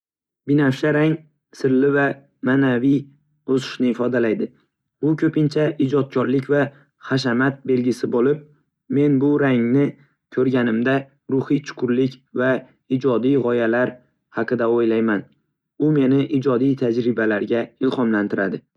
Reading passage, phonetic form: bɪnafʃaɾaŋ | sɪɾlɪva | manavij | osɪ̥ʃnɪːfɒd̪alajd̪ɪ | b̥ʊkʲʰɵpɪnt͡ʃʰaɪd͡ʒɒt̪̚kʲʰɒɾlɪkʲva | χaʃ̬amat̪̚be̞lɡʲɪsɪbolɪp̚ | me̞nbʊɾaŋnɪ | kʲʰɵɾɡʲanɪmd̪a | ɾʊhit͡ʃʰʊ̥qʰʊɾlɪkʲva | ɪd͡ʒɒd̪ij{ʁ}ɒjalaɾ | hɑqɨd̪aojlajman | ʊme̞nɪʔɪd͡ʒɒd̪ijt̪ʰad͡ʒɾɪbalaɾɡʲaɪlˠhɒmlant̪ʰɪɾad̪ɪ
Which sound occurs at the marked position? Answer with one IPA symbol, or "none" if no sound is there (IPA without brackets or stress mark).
ʁ